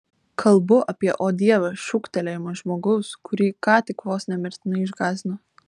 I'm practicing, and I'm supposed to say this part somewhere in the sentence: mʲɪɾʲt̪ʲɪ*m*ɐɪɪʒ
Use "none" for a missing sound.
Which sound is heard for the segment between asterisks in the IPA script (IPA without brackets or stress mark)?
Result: n